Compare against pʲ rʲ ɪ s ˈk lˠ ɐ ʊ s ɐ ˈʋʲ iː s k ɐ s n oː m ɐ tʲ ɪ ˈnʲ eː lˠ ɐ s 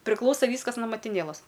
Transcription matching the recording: pʲ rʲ ɪ ˈk lˠ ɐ ʊ s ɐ ˈʋʲ iː s k ɐ s n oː m ɐ tʲ ɪ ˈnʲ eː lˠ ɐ s